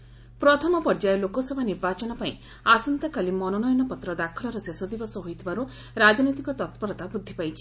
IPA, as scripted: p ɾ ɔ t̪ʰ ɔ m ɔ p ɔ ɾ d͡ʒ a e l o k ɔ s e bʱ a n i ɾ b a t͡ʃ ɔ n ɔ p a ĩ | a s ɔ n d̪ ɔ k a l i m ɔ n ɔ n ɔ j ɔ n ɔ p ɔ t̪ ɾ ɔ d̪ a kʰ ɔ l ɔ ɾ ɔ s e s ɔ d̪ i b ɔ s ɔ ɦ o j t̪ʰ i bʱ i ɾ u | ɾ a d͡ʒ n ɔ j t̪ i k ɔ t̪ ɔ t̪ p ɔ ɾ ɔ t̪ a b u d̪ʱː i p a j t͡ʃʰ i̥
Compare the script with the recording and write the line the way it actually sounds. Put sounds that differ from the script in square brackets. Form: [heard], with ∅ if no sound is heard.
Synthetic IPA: p ɾ ɔ t̪ʰ ɔ m ɔ p ɔ ɾ d͡ʒ a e l o k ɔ s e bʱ a n i ɾ b a t͡ʃ ɔ n ɔ p a ĩ | a s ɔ n [t̪] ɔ k a l i m ɔ n ɔ n ɔ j ɔ n ɔ p ɔ t̪ ɾ ɔ d̪ a kʰ ɔ l ɔ ɾ ɔ s e s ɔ d̪ i b ɔ s ɔ ɦ o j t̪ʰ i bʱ [a] ɾ u | ɾ a d͡ʒ n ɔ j t̪ i k ɔ t̪ ɔ t̪ p ɔ ɾ ɔ t̪ a b u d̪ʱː i p a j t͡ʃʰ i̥